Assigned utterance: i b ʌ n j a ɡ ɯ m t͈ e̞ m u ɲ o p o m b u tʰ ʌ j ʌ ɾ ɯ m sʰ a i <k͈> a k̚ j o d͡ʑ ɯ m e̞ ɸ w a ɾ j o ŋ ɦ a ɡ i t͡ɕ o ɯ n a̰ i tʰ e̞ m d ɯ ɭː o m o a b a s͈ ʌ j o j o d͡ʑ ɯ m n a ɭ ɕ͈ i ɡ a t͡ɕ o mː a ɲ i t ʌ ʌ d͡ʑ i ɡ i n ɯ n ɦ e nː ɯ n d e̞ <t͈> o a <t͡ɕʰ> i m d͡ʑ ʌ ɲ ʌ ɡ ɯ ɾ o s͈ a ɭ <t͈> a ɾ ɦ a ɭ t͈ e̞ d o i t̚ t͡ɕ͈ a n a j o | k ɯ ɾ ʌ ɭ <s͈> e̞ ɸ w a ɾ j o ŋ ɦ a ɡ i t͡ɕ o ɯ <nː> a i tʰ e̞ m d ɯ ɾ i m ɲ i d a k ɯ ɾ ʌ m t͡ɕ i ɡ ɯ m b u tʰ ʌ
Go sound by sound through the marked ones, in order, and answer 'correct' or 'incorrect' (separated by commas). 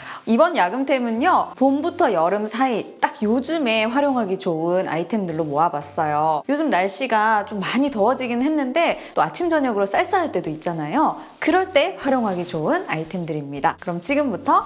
incorrect, correct, correct, incorrect, incorrect, incorrect